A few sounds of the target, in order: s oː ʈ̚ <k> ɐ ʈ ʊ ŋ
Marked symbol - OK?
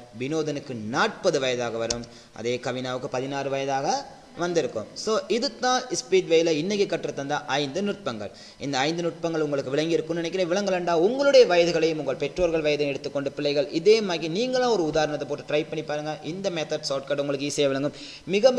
yes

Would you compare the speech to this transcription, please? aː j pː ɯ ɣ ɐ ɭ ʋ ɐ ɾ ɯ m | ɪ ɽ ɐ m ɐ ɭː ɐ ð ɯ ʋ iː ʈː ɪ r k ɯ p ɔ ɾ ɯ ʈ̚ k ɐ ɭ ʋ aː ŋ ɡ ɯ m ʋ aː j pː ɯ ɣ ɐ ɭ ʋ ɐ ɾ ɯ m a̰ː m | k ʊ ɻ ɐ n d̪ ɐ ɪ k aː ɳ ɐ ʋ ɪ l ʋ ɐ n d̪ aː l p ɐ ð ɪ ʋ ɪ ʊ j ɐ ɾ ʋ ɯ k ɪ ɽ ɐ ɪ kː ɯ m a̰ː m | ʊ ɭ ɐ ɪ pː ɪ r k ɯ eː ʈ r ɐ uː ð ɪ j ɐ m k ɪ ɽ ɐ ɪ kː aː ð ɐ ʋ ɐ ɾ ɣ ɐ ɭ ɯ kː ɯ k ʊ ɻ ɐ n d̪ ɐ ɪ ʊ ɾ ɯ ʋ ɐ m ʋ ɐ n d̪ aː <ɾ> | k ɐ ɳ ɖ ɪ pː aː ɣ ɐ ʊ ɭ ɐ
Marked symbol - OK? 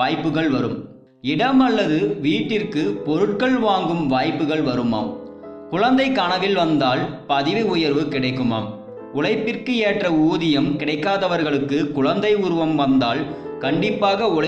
no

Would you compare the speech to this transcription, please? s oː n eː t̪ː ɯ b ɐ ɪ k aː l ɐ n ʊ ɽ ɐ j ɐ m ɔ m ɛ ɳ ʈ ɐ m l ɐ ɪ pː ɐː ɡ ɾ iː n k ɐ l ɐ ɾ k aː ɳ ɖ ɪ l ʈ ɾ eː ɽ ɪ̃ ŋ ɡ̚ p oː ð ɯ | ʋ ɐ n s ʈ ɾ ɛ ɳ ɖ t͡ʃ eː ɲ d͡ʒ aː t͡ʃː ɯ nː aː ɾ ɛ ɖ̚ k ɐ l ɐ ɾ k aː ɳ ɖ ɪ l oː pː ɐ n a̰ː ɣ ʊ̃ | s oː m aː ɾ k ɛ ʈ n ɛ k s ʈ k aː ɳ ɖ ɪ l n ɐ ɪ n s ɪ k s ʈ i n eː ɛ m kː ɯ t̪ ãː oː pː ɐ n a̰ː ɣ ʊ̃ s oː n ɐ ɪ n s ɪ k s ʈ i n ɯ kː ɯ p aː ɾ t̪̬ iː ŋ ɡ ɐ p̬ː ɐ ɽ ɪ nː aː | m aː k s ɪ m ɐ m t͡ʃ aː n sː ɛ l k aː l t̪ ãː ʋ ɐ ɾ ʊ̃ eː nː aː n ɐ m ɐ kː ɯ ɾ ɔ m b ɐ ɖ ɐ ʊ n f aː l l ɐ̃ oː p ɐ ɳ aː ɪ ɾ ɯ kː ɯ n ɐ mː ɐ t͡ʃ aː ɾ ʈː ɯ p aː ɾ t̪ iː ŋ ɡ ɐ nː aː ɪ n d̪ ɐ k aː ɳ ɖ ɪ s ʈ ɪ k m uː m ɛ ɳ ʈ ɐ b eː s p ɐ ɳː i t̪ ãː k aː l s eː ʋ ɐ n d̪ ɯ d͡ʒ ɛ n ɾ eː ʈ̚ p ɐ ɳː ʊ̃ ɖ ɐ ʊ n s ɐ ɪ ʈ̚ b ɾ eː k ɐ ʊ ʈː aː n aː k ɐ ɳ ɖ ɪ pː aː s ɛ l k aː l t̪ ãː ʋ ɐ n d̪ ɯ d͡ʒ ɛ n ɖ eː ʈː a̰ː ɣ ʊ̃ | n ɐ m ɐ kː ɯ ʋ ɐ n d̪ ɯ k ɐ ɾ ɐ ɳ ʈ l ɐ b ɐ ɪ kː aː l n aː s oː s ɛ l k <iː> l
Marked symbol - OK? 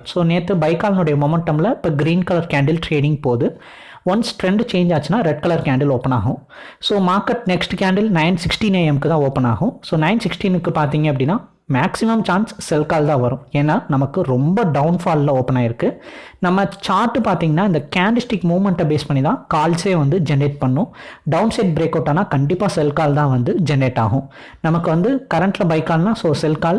no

